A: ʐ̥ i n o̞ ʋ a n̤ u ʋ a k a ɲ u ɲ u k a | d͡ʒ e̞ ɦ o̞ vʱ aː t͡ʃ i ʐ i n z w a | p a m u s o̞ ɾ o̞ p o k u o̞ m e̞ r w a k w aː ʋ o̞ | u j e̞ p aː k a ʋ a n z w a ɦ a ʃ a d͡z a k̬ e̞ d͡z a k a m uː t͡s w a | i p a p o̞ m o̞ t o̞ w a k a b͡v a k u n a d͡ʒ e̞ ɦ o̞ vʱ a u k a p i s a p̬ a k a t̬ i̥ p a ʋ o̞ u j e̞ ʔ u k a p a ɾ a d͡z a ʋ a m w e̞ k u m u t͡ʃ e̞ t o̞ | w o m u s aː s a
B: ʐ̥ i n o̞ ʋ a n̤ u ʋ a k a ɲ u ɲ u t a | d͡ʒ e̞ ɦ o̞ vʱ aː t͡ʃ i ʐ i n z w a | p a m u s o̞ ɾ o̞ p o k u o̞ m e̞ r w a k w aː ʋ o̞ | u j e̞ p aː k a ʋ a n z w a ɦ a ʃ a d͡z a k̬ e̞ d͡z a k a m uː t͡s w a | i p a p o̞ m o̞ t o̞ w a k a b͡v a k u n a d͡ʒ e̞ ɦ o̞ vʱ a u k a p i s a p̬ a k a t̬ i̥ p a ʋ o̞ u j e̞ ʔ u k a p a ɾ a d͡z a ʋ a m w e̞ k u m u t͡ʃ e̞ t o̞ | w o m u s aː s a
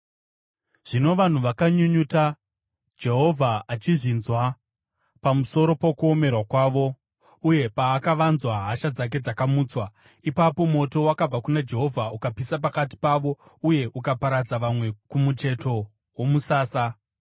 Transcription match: B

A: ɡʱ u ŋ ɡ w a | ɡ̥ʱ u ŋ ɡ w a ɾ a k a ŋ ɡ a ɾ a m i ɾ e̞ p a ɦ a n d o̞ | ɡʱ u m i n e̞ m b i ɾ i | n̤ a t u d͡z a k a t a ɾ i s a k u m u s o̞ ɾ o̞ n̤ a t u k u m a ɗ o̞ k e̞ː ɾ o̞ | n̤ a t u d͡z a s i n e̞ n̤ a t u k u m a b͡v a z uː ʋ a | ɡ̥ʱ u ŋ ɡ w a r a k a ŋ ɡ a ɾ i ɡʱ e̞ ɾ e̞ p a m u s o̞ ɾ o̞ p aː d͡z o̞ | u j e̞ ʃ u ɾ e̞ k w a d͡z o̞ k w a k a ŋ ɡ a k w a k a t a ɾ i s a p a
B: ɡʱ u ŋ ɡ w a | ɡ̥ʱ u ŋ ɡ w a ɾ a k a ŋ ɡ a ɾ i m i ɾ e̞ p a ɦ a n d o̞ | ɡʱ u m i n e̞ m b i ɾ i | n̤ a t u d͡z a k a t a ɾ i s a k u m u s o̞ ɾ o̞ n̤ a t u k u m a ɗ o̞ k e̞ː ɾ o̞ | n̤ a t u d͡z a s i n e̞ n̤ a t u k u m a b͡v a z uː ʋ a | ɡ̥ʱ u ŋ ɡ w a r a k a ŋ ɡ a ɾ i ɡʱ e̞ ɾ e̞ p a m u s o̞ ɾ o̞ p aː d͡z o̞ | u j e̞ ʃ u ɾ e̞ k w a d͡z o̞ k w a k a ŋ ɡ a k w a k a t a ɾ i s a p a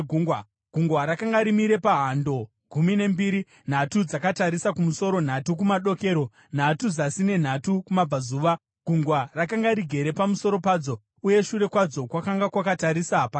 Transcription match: B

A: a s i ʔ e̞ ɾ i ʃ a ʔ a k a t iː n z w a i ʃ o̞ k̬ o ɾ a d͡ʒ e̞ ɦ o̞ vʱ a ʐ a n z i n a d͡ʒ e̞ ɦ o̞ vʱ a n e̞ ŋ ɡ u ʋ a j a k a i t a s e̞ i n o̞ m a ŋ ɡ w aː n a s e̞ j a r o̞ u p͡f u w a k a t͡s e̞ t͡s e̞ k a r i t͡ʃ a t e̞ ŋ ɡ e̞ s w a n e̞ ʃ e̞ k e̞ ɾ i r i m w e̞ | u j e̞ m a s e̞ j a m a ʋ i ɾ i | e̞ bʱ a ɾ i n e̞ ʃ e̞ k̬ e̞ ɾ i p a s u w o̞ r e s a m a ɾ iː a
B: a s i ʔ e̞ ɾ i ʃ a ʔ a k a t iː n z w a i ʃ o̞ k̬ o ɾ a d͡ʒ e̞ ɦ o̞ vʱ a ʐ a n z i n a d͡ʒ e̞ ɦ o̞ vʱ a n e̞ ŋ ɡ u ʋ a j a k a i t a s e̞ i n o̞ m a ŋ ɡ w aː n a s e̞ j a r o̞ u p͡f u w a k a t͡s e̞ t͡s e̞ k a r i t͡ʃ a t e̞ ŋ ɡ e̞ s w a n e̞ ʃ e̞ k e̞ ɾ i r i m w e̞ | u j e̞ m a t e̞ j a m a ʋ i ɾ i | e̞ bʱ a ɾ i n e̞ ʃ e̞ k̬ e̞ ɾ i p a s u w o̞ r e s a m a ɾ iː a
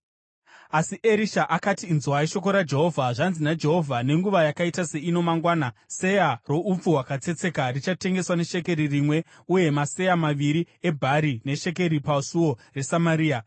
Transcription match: A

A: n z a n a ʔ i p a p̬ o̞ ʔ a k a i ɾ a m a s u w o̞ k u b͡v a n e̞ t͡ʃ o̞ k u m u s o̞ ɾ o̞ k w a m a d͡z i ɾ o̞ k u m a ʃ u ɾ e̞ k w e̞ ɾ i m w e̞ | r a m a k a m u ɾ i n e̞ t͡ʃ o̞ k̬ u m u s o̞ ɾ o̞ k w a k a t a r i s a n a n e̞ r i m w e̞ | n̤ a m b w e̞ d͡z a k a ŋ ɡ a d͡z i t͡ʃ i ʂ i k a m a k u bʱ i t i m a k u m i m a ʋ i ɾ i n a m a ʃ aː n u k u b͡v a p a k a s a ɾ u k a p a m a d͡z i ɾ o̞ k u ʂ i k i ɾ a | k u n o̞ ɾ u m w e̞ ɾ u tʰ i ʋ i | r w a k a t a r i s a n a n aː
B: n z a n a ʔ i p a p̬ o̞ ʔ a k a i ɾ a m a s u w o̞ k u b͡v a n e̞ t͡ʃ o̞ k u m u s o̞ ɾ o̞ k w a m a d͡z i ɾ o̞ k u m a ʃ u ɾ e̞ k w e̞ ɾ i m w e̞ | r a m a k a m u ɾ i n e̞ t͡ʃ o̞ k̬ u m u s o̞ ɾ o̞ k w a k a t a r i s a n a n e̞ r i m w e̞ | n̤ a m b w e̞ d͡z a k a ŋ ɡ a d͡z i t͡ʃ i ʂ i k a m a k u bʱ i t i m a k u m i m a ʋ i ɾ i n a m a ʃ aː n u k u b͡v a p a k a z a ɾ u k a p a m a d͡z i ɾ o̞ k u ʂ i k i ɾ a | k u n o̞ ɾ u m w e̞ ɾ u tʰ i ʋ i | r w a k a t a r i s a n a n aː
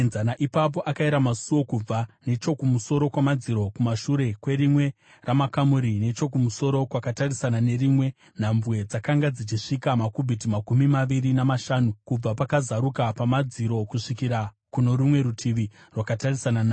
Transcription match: B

